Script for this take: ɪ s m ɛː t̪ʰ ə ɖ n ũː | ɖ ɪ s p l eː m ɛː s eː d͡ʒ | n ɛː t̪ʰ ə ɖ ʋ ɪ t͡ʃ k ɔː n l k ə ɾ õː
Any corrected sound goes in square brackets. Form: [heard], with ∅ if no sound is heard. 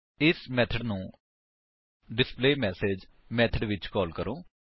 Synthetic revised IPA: ɪ s m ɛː t̪ʰ ə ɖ n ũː | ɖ ɪ s p l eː m ɛː s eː d͡ʒ | [m] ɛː t̪ʰ ə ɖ ʋ ɪ t͡ʃ k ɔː [∅] l k ə ɾ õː